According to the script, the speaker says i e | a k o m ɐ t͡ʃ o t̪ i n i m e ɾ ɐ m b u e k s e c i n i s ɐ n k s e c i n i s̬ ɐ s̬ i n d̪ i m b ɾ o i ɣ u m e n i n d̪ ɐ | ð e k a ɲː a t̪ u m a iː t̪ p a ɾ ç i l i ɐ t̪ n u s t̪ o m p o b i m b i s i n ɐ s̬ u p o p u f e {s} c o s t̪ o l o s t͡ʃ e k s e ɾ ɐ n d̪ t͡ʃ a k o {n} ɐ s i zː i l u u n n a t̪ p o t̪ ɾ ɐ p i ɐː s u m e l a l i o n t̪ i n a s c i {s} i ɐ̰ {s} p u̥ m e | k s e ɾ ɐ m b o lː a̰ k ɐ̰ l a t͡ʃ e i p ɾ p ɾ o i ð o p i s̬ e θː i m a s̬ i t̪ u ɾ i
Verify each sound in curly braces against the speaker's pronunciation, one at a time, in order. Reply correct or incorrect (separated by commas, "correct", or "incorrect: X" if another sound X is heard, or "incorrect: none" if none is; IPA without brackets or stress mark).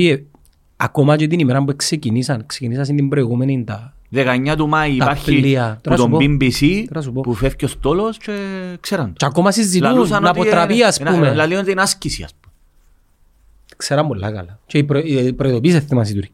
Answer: incorrect: f, incorrect: m, correct, correct